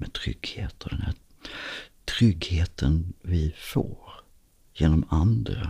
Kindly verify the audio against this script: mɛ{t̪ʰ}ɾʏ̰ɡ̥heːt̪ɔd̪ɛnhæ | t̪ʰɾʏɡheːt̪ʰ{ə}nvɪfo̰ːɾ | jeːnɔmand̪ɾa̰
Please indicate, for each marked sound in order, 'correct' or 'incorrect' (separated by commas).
correct, correct